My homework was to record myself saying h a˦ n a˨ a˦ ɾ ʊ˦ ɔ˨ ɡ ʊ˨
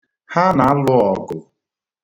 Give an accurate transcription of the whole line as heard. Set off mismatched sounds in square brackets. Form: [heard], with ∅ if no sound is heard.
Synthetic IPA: h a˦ n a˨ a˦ [l] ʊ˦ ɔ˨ ɡ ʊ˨

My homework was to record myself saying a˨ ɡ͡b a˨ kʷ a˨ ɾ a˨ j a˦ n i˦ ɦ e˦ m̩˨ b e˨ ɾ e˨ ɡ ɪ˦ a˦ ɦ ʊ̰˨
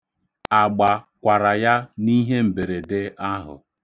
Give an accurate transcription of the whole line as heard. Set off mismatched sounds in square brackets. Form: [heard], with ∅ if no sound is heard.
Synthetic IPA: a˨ ɡ͡b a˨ kʷ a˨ ɾ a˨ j a˦ n i˦ ɦ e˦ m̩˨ b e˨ ɾ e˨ [d] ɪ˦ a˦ ɦ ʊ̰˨

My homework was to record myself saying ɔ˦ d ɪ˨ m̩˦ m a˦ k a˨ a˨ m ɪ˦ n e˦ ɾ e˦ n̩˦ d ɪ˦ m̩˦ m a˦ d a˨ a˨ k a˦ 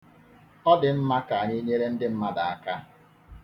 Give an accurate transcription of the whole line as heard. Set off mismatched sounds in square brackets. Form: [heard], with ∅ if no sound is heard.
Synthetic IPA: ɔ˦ d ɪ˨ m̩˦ m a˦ k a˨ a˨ [ɲ] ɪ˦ [ɲ] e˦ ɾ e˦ n̩˦ d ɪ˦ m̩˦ m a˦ d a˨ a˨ k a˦

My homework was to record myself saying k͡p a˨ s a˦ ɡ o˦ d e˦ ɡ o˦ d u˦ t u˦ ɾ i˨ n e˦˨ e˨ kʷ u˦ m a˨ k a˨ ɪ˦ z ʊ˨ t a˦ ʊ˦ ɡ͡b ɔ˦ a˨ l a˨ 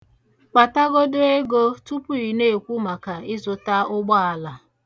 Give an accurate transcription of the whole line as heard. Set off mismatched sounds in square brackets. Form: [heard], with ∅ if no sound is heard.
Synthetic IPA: k͡p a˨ [t] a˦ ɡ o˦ d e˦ ɡ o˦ [t] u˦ [p] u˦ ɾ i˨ n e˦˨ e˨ kʷ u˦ m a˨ k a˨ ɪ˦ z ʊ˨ t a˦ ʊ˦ ɡ͡b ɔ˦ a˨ l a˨

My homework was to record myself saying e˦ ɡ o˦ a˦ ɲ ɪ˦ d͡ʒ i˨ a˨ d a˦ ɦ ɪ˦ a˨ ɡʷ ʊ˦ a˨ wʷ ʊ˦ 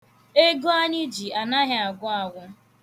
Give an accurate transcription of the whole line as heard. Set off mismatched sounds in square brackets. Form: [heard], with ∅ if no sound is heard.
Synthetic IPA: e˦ ɡ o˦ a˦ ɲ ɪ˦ d͡ʒ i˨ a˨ [n] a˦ ɦ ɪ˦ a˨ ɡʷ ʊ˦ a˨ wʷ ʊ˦

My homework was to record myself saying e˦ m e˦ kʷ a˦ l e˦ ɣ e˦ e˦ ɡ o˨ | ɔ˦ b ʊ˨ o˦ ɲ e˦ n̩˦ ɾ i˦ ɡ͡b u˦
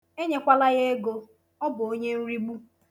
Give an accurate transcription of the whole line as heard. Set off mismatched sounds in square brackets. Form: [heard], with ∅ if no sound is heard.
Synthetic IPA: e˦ [ɲ] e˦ kʷ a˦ l [a˦] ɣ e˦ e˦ ɡ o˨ | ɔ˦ b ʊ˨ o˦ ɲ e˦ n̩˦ ɾ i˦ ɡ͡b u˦

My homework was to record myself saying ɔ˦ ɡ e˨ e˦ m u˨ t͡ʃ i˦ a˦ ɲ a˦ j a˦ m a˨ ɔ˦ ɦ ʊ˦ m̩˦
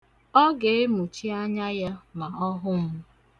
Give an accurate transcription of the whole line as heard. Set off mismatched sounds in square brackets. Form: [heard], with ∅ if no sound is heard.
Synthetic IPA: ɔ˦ ɡ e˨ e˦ m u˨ t͡ʃ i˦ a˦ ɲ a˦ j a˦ m a˨ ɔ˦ ɦ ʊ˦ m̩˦

